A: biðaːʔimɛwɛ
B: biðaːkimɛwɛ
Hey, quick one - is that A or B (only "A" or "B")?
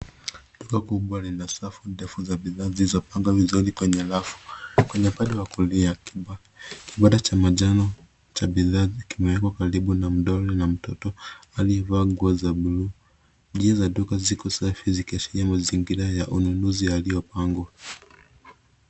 B